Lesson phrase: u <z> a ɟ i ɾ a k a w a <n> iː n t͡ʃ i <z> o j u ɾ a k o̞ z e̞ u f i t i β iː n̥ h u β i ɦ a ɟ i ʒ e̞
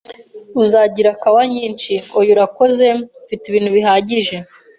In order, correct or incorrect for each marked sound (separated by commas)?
correct, incorrect, incorrect